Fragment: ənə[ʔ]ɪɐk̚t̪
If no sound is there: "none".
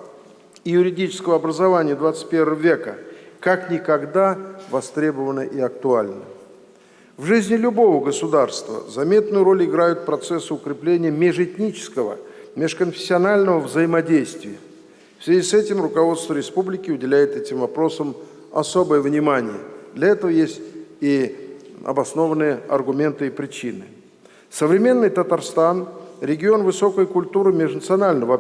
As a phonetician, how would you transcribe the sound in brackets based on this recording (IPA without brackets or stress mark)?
ʔ